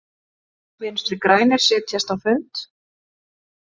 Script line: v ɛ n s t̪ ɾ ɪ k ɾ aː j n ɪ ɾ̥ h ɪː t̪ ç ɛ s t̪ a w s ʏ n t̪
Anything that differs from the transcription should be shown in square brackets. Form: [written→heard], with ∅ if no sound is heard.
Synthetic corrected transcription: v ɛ n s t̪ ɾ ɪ k ɾ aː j n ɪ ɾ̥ [h→s] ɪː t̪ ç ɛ s t̪ a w [s→f] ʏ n t̪

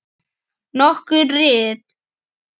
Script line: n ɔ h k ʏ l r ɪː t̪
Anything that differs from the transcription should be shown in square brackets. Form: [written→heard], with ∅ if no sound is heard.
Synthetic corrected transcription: n ɔ h k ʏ [l→ɾ] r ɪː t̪

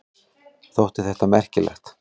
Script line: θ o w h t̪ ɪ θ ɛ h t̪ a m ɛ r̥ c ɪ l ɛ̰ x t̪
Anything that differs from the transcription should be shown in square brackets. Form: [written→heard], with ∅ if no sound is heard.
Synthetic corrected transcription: θ o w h t̪ ɪ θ ɛ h t̪ a m ɛ r̥ c ɪ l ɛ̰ x t̪

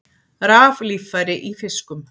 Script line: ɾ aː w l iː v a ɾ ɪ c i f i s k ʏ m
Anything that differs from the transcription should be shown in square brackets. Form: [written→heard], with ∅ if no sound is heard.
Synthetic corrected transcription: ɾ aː [w→v] l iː [v→f] a ɾ ɪ [c→ʔ] i f [i→ɪ] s k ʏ m

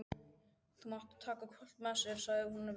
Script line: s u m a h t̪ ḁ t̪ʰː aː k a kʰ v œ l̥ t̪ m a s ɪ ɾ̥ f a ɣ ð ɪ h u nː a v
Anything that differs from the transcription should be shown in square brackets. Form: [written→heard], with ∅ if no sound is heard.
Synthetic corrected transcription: [s→θ] u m a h t̪ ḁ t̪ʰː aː k a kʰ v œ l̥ t̪ m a s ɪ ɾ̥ [f→s] a ɣ ð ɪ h u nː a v

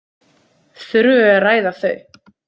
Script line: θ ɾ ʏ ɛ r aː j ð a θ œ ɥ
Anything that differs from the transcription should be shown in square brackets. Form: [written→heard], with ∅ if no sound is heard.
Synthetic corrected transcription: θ ɾ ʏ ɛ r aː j ð a θ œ ɥ

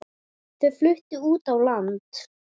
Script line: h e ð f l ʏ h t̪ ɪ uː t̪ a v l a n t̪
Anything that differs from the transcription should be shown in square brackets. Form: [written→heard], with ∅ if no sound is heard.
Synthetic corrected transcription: [h→θ] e ð f l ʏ h t̪ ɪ uː t̪ a [v→w] l a n t̪

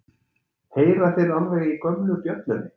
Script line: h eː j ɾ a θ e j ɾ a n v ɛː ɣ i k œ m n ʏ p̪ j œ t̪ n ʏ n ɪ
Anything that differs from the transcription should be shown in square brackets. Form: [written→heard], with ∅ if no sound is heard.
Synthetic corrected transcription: h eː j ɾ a θ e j ɾ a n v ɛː ɣ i k œ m n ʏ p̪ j œ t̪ n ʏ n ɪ

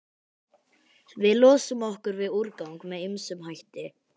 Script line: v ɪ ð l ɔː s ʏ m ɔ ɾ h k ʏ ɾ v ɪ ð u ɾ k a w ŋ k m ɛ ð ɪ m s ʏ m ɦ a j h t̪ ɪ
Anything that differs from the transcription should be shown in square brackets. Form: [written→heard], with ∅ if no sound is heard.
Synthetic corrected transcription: v ɪ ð l ɔː s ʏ m ɔ [ɾ→∅] h k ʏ ɾ v ɪ ð u ɾ k a w ŋ k m ɛ ð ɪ m s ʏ m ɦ a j h t̪ ɪ

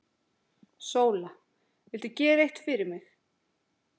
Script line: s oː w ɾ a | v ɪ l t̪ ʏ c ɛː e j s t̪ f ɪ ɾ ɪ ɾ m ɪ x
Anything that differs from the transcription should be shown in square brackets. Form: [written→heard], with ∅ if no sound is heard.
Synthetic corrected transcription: s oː w [ɾ→l] a | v ɪ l t̪ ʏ c ɛː e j [s→h] t̪ f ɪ ɾ ɪ ɾ m ɪ x

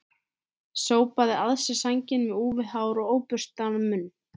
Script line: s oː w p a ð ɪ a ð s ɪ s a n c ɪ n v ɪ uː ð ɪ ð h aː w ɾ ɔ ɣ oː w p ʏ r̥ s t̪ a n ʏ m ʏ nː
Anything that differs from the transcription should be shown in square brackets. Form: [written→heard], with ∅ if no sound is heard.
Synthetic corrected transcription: s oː w p a ð ɪ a ð s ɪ s a [n→ɲ] c ɪ n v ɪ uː [ð→v] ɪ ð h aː w ɾ ɔ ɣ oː w p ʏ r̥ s t̪ a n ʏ m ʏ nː

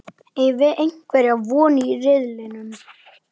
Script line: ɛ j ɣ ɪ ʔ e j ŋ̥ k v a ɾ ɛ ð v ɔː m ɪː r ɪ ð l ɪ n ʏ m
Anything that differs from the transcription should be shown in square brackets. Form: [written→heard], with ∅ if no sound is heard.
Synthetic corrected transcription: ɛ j [ɣ→v] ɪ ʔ e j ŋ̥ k v [a→ɛ] ɾ [ɛ→a] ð v ɔː [m→n] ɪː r ɪ ð l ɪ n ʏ m

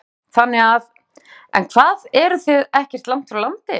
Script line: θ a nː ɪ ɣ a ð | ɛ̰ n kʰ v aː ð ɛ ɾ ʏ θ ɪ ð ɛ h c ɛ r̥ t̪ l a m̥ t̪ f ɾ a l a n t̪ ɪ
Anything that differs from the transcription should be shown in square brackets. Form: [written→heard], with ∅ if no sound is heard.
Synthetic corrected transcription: θ a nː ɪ ɣ a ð | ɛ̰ n kʰ v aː ð ɛ ɾ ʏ θ ɪ ð ɛ h c ɛ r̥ t̪ l a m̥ t̪ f ɾ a l a n t̪ ɪ

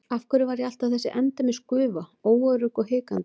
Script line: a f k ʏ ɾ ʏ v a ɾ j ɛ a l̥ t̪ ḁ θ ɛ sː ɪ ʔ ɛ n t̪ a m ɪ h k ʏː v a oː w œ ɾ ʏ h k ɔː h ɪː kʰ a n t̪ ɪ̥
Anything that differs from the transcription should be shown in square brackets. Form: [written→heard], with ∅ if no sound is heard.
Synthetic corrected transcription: a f k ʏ ɾ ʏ v a ɾ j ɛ a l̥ t̪ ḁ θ ɛ sː ɪ ʔ ɛ n t̪ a m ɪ [h→s] k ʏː v a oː w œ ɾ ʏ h k [ɔː→ɔ] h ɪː [kʰ→k] a n t̪ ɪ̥

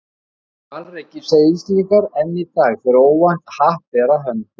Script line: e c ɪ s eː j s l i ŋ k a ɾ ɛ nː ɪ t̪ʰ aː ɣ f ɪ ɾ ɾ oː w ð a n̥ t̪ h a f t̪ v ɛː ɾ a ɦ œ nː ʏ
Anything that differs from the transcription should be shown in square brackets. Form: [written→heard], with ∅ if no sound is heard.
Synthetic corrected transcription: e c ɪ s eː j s l i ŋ k a ɾ ɛ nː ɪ [t̪ʰ→t̪] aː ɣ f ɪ ɾ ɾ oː w [ð→v] a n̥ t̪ h a [f→h] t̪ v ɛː ɾ a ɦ œ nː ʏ

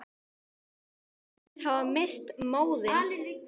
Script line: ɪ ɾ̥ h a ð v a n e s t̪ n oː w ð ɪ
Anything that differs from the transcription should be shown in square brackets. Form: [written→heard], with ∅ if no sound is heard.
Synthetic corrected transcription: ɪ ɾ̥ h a [ð→∅] v a [n→m] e s t̪ [n→m] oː w ð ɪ

